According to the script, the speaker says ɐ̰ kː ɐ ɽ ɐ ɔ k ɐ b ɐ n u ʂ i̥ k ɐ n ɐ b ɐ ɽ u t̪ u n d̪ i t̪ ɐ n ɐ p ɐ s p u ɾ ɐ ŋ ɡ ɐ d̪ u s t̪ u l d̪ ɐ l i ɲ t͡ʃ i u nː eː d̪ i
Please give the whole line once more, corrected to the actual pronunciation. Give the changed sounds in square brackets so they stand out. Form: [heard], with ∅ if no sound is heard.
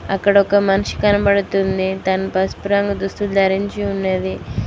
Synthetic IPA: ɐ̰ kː ɐ ɽ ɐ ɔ k ɐ [m] ɐ n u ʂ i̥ k ɐ n ɐ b ɐ ɽ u t̪ u n d̪ i t̪ ɐ n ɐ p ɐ s p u ɾ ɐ ŋ ɡ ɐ d̪ u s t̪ u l d̪ ɐ [ɾ] i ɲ t͡ʃ i u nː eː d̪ i